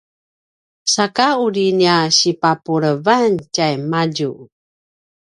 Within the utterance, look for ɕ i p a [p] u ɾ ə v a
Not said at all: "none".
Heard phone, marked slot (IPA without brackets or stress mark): p